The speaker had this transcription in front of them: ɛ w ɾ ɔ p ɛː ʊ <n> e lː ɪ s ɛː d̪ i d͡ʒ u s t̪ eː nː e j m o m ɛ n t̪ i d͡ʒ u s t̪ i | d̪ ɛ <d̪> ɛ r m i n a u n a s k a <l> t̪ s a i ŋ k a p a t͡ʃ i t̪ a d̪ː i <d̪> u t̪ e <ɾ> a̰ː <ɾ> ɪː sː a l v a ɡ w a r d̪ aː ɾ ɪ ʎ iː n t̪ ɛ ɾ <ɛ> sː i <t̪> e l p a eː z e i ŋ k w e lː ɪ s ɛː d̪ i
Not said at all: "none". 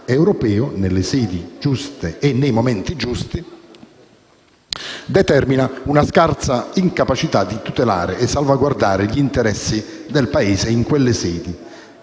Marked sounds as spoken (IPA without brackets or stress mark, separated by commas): n, t̪, r, t̪, l, ɾ, ɛ, d̪